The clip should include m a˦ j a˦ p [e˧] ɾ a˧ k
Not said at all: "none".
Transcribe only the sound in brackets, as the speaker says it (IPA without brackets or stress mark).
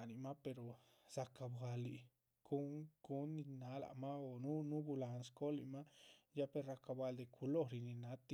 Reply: e˧